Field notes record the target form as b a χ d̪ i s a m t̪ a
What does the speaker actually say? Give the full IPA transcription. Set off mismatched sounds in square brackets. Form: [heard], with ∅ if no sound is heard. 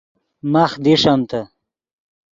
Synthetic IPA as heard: [m] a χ d̪ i [ʂ] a m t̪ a